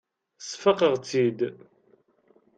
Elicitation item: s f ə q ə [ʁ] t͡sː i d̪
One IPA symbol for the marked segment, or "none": ʁ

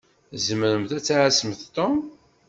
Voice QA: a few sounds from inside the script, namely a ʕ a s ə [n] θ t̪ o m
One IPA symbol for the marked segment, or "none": m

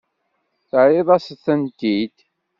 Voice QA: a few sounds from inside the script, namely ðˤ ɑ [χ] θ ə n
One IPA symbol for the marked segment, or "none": s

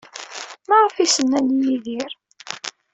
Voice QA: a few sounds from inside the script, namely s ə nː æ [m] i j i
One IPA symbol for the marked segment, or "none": n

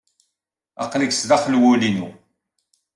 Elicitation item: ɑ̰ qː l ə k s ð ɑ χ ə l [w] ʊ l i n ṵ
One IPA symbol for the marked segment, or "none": w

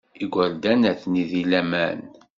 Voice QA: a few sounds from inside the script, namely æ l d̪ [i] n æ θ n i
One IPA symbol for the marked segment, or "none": æ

